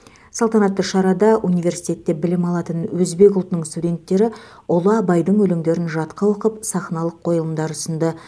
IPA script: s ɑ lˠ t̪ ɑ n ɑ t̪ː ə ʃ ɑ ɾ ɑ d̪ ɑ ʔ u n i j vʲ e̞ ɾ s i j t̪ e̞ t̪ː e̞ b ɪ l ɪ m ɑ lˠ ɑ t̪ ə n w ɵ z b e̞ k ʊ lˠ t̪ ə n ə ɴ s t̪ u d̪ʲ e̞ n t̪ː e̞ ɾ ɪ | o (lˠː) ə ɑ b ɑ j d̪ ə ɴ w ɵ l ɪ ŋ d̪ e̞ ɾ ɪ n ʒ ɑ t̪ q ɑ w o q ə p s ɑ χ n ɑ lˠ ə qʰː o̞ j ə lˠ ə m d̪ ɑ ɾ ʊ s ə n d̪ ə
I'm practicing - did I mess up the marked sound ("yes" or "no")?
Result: yes